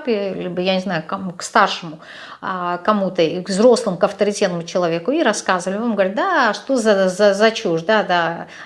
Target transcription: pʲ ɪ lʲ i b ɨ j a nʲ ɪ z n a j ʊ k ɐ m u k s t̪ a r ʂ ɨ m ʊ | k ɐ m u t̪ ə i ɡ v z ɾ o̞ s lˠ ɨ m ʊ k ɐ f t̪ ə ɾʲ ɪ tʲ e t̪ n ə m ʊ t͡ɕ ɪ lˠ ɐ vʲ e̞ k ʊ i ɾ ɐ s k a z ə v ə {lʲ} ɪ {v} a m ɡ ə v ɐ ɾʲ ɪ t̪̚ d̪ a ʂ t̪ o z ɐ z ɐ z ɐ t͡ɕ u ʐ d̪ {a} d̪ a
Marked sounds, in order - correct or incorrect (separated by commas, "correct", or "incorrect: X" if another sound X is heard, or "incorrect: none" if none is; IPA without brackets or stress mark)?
correct, correct, correct